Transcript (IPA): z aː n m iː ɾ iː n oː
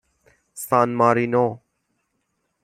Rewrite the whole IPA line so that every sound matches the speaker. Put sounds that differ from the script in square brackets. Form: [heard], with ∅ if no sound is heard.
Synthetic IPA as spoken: [s] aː n m [aː] ɾ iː n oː